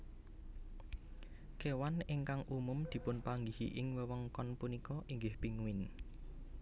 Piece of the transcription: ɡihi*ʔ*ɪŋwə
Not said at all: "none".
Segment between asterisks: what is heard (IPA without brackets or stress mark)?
ʔ